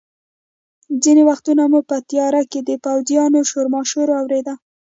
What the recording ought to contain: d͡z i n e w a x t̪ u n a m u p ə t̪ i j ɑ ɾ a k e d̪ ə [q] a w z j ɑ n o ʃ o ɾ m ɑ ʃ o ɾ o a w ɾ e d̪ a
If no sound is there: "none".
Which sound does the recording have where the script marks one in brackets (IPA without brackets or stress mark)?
p